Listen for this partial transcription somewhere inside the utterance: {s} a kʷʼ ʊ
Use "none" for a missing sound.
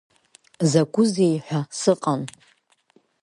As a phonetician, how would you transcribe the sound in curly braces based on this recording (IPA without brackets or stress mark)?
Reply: z